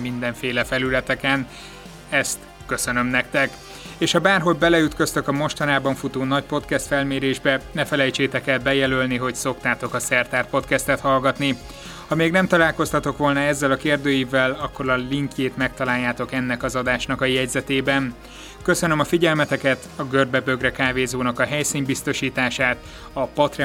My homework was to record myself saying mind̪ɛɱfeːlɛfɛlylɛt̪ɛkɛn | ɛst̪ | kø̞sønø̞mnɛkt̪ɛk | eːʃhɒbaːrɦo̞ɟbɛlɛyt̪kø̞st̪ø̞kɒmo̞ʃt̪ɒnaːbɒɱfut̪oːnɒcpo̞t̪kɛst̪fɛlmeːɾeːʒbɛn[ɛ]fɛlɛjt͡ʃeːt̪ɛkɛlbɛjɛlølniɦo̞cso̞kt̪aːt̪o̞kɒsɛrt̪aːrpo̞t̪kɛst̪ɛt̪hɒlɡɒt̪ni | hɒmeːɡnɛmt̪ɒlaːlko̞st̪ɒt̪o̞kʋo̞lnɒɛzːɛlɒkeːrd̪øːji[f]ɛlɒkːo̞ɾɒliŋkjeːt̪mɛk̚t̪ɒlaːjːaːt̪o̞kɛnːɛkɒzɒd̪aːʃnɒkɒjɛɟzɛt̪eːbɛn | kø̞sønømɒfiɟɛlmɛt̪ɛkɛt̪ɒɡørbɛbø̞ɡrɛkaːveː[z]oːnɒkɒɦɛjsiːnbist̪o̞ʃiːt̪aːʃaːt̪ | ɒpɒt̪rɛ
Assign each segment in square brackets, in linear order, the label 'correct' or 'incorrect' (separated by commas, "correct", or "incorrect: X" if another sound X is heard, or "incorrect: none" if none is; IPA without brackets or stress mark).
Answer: correct, incorrect: v, correct